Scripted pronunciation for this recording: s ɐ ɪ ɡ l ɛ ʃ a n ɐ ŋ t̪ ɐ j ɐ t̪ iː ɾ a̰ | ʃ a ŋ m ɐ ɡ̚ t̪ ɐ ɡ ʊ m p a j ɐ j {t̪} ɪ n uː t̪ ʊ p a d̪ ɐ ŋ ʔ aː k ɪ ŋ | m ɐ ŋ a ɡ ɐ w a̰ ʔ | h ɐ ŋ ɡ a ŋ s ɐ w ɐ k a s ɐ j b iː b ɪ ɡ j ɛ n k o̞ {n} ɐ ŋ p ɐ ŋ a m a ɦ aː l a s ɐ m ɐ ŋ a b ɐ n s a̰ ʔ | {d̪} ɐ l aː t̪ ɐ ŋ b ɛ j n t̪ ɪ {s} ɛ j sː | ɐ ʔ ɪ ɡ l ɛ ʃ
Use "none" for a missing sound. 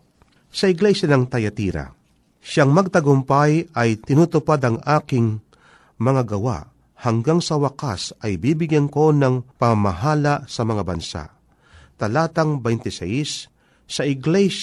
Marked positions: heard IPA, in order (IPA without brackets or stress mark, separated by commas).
t̪, n, t̪, s